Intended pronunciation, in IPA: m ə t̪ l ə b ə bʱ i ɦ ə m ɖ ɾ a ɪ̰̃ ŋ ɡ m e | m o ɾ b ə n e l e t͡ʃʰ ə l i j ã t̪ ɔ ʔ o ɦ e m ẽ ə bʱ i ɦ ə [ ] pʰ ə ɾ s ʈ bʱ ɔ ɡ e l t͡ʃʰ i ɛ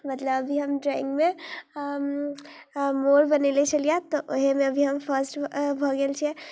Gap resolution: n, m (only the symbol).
m